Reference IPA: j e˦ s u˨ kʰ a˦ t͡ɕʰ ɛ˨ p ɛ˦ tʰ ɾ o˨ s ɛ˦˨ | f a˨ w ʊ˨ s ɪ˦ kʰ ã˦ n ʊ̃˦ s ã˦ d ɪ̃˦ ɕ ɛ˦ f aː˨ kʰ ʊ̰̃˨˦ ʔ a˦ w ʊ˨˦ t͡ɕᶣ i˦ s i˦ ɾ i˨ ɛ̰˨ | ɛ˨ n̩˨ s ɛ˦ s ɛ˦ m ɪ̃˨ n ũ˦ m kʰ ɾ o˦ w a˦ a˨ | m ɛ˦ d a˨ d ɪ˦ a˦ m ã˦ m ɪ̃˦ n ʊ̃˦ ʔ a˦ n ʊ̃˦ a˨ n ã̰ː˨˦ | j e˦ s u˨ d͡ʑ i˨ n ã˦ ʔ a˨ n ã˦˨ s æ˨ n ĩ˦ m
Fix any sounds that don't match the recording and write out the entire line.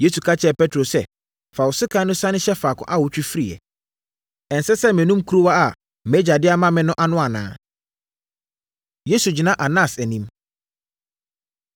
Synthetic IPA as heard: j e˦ s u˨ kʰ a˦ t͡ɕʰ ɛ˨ p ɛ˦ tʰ ɾ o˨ s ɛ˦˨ | f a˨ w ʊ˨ s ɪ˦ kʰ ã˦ n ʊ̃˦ s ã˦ n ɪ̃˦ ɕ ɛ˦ f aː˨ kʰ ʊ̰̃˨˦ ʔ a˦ w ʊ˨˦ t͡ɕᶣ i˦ f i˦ ɾ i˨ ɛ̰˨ | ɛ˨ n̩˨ s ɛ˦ s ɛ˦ m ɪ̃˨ n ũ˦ m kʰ ɾ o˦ w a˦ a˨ | m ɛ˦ d͡ʑ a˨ d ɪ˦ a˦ m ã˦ m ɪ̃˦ n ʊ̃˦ ʔ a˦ n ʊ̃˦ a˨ n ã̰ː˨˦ | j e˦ s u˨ d͡ʑ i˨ n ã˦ ʔ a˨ n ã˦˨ s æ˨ n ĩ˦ m